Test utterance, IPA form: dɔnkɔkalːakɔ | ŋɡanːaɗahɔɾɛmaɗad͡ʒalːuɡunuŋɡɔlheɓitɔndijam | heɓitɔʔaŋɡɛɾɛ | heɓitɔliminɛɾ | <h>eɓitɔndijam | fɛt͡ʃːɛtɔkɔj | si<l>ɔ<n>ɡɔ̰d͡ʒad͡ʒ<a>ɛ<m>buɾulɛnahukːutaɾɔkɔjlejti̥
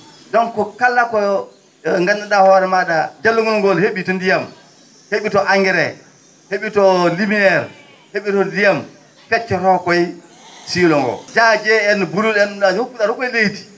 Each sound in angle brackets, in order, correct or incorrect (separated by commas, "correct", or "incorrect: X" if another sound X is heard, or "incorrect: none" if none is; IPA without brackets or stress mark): correct, correct, incorrect: ŋ, incorrect: ɛ, incorrect: n